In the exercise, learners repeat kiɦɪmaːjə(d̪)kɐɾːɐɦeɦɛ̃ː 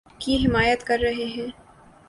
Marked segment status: incorrect: t̪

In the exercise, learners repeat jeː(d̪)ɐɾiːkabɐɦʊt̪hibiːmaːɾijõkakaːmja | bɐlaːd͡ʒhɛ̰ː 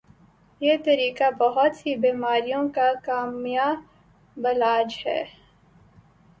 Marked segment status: incorrect: t̪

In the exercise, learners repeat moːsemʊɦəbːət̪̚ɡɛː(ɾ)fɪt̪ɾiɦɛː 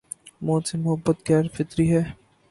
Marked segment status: correct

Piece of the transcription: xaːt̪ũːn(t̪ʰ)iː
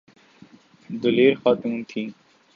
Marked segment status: correct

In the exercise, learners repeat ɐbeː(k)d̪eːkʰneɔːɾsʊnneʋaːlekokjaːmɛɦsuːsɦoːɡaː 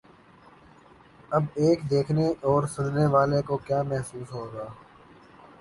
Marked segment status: correct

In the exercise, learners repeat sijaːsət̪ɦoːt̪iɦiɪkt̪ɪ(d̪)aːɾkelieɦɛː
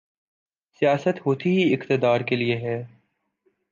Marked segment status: correct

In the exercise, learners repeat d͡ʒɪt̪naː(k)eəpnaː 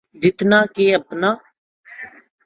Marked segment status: correct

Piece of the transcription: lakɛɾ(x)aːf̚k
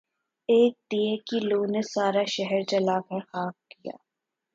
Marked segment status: correct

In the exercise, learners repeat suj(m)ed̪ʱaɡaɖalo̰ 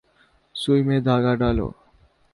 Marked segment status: correct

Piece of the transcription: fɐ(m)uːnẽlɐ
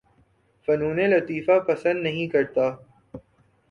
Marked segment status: incorrect: n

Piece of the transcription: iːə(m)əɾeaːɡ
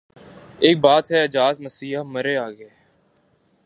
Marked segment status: correct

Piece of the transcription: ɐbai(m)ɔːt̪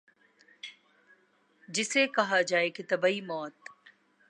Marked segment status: correct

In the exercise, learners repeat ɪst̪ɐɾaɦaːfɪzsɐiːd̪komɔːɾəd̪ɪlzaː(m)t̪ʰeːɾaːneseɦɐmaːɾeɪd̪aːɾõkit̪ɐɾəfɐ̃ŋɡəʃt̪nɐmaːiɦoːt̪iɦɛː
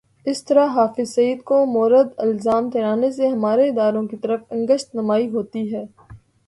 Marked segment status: correct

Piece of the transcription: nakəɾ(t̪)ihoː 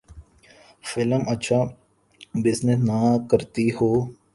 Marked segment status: correct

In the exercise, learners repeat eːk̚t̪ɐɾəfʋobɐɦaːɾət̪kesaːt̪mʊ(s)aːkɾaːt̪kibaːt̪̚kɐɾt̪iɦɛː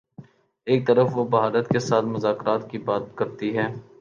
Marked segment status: incorrect: z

